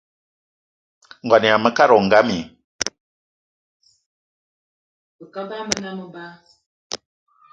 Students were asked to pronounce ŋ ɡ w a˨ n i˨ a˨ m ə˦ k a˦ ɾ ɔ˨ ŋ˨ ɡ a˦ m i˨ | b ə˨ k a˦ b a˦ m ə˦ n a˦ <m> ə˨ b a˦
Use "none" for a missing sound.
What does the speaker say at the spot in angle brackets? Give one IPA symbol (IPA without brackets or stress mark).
m